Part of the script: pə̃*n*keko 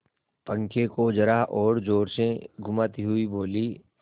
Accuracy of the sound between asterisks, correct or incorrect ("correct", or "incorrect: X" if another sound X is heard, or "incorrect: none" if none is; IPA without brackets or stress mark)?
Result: incorrect: ŋ